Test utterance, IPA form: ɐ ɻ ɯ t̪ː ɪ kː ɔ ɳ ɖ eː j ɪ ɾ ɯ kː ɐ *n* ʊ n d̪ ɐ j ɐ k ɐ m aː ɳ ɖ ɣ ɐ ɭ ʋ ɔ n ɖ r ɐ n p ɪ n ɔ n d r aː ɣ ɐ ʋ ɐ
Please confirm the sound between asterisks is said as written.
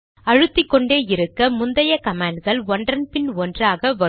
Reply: no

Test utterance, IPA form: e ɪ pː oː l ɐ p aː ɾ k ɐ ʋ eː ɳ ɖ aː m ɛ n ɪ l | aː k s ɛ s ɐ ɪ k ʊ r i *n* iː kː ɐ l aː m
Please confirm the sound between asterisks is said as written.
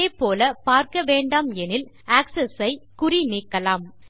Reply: yes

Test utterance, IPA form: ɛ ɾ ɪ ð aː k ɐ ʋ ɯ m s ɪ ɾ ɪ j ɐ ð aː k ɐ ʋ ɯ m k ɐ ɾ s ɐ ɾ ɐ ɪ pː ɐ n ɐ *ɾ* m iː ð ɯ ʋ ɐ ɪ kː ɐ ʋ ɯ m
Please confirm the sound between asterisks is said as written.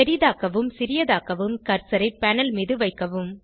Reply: no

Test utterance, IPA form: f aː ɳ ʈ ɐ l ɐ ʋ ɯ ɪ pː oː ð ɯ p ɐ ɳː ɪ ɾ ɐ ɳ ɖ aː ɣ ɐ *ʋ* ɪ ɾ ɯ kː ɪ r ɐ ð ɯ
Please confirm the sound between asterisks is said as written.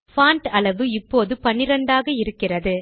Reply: no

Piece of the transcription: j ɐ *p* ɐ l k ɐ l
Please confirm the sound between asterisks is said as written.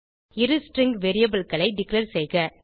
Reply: no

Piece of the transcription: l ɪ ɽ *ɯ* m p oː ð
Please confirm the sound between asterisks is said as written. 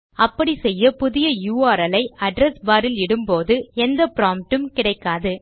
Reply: yes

